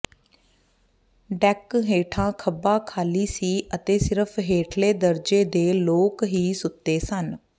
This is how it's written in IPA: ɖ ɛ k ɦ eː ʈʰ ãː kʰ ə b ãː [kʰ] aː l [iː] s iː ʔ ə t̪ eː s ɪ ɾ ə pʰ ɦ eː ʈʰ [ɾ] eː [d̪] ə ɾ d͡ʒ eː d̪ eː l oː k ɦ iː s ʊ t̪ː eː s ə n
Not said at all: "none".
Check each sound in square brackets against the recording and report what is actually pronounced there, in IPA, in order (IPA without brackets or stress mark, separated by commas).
kʰ, iː, l, d̪